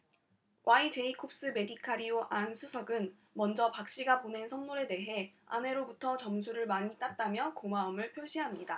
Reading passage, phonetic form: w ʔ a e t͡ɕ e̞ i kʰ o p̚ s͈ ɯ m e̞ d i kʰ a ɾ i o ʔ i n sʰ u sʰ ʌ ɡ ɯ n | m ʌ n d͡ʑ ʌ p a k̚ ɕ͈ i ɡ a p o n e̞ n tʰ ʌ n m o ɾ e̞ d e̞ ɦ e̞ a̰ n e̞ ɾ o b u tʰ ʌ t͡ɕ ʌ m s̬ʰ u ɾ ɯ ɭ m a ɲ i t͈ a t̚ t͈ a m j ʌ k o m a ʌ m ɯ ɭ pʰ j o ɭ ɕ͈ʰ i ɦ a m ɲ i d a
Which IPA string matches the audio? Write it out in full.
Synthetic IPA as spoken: w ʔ a i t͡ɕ e̞ i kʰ o p̚ s͈ ɯ m e̞ d i kʰ a ɾ i o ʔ a n sʰ u sʰ ʌ ɡ ɯ n | m ʌ n d͡ʑ ʌ p a k̚ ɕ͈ i ɡ a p o n e̞ n sʰ ʌ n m o ɾ e̞ d e̞ ɦ e̞ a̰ n e̞ ɾ o b u tʰ ʌ t͡ɕ ʌ m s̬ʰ u ɾ ɯ ɭ m a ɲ i t͈ a t̚ t͈ a m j ʌ k o m a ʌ m ɯ ɭ pʰ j o ɭ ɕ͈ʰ i ɦ a m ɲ i d a